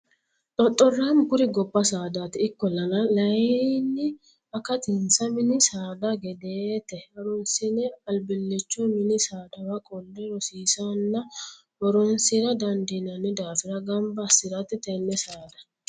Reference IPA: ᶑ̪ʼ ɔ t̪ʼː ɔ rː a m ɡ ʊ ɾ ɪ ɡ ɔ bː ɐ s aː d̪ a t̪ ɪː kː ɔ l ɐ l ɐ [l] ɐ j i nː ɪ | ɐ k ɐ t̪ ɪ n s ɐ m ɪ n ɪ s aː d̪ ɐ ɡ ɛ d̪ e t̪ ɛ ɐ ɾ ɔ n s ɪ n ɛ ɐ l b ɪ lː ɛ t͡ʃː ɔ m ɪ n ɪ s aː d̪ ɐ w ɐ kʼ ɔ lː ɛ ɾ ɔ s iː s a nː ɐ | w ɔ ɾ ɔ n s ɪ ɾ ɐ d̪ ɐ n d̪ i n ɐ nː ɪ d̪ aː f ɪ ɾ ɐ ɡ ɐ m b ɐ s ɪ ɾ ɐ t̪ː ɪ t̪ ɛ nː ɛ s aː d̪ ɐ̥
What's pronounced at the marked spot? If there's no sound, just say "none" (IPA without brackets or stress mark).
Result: l